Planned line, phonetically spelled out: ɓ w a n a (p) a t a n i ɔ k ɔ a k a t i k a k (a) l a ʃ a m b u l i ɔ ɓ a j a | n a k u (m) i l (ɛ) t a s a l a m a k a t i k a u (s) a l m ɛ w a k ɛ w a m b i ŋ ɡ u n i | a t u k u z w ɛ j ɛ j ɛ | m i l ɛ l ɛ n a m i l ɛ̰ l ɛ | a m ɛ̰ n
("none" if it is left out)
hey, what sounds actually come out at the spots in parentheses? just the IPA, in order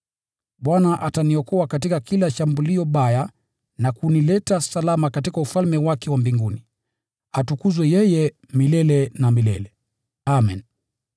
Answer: ʔ, i, n, ɛ, f

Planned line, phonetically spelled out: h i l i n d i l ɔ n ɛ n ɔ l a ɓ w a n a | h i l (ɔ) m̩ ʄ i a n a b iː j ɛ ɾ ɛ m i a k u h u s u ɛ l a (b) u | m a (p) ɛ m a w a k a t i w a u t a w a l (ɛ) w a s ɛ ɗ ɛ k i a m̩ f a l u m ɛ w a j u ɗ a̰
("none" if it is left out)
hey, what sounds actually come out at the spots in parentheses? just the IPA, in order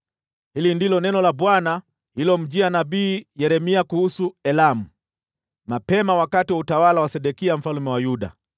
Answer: ɔ, m, p, a

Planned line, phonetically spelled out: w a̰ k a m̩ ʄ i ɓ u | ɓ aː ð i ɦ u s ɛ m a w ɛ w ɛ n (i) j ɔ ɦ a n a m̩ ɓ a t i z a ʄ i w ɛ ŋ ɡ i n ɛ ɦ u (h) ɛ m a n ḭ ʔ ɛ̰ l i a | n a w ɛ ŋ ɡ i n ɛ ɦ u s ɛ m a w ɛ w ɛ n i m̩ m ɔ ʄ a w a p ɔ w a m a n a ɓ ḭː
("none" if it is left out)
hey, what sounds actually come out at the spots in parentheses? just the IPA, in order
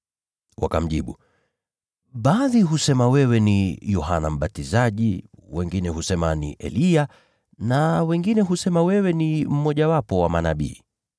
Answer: i, s

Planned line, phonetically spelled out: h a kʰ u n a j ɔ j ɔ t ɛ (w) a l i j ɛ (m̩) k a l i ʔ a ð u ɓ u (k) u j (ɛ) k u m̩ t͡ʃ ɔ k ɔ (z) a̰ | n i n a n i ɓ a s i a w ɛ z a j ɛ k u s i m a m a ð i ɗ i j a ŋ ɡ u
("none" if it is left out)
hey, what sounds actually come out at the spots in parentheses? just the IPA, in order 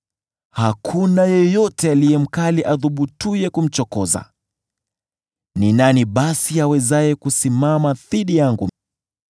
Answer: none, m̩, t, ɛ, z

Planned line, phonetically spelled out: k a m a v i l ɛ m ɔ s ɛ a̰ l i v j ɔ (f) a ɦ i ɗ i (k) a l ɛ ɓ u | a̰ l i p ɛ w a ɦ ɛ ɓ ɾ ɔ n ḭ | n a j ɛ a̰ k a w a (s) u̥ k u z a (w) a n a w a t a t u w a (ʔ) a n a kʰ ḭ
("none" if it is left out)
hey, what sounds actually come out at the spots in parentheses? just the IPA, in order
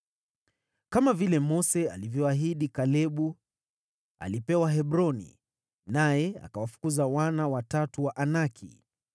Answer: none, k, f, w, ʔ

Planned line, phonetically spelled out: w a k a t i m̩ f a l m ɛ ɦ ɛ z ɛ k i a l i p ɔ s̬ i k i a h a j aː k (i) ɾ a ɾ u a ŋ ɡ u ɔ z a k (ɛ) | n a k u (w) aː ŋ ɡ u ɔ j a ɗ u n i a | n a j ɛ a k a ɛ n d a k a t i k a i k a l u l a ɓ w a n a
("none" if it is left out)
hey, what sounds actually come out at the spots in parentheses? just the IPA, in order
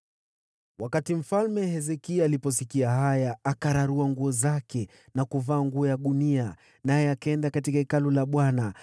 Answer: a, ɛ, v

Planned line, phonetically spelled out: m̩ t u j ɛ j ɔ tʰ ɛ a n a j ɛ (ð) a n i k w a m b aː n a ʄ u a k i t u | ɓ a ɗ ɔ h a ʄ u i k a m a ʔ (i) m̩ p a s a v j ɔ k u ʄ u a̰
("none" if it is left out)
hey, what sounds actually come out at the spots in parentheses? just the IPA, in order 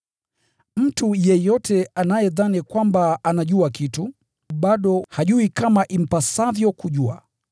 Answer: ð, i

